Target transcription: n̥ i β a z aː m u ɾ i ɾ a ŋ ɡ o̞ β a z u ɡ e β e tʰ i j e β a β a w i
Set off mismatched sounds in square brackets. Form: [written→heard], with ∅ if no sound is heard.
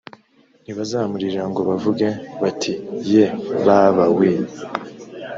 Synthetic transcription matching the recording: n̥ i β a z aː m u ɾ i ɾ a ŋ ɡ o̞ β a [z→v] u ɡ e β [e→a] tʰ i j e β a β a w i